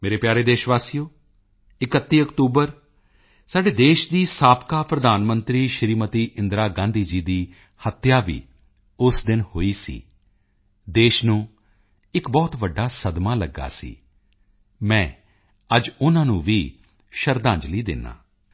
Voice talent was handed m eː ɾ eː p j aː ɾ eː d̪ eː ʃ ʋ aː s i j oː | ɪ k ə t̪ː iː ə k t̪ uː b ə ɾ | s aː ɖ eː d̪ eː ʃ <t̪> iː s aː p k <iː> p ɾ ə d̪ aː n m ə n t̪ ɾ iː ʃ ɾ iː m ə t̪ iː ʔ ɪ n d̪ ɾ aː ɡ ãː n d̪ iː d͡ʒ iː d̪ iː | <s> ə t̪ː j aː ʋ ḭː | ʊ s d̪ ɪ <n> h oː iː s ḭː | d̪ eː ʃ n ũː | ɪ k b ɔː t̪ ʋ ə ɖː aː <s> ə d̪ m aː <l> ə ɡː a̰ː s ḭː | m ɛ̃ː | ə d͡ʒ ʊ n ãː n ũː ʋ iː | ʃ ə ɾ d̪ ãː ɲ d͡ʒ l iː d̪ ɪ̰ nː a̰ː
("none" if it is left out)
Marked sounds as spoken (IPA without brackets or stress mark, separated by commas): d̪, aː, h, n, s, l